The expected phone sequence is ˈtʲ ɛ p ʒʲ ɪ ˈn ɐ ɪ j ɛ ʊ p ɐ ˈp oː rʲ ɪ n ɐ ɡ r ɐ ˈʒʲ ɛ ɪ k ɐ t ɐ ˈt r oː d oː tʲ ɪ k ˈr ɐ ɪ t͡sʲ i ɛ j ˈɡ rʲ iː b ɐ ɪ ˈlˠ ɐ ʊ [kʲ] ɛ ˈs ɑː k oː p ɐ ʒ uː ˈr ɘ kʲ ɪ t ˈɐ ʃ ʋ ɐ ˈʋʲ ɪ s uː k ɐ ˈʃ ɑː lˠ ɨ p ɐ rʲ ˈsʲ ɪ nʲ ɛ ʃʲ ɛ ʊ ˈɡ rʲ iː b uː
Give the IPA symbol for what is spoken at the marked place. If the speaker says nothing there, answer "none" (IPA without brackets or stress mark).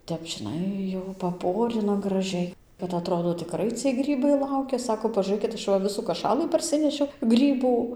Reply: kʲ